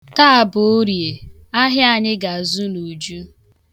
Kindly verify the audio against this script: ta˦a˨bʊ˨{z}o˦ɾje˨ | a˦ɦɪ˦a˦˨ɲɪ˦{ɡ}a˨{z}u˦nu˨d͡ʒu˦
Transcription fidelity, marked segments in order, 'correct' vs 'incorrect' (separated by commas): incorrect, correct, correct